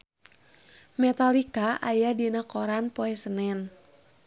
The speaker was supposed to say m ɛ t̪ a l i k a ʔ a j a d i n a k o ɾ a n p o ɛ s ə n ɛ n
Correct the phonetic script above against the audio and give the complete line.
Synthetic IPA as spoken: m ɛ t̪ a l i k a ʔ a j a d i n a k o ɾ a n p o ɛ s ə n ɛ n